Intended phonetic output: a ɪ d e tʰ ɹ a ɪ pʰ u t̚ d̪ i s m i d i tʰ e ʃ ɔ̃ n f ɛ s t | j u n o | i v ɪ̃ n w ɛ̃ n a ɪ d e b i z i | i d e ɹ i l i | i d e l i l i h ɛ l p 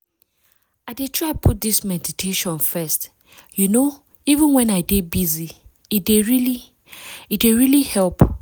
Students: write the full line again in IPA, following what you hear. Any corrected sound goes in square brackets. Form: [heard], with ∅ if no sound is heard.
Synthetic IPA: a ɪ d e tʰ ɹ a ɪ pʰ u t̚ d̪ i s m [ɛ] d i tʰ e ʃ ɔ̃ n f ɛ s t | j u n o | i v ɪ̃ n w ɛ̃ n a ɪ d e b i z i | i d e ɹ i l i | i d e [ɹ] i l i h ɛ l p